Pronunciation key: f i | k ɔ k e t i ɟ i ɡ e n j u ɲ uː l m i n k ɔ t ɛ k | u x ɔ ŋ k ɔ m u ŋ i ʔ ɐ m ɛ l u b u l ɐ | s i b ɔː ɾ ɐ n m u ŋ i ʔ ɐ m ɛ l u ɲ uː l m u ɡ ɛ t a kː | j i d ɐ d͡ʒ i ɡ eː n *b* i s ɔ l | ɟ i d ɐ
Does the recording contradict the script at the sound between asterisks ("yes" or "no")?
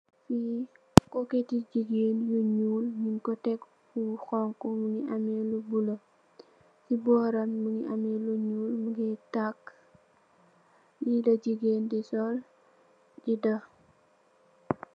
yes